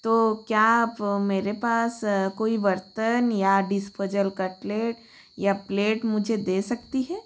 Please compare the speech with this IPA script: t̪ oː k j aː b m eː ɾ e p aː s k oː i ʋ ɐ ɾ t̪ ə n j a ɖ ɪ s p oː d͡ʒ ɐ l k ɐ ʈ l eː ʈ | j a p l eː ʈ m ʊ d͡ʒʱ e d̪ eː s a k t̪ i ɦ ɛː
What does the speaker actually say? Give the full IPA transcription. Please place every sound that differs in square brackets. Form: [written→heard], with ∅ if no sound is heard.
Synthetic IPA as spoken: t̪ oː k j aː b m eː ɾ e p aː s k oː i ʋ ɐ ɾ t̪ ə n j a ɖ ɪ s p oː d͡ʒ [ɐ→ə] l k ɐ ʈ l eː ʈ | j a p l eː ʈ m ʊ d͡ʒʱ e d̪ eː s [a→ɐ] k t̪ i ɦ ɛː